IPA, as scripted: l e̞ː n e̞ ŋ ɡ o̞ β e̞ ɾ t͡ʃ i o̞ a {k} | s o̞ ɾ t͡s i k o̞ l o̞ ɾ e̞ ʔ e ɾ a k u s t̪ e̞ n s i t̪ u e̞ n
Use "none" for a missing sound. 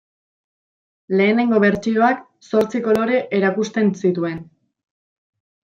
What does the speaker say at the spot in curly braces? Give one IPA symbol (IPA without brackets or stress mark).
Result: k